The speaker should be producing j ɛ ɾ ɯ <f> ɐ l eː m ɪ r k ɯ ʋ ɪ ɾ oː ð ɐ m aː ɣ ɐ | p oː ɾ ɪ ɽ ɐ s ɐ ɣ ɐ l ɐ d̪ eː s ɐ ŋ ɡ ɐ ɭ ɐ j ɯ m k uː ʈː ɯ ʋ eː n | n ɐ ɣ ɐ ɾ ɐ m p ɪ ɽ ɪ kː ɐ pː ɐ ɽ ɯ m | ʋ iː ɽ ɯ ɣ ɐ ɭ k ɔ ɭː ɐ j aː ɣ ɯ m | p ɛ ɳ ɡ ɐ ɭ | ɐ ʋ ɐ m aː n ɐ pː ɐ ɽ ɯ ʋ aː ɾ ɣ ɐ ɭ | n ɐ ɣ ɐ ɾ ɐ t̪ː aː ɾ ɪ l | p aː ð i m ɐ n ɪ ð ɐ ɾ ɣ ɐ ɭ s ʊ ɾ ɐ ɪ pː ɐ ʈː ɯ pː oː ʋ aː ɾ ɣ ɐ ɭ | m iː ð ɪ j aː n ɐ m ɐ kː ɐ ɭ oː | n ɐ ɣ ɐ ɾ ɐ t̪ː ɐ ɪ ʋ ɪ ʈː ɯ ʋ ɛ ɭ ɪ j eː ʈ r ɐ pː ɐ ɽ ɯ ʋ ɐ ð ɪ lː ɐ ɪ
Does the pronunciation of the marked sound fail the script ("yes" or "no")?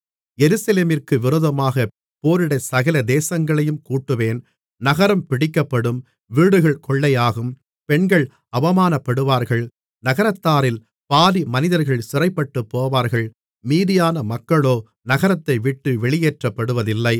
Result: yes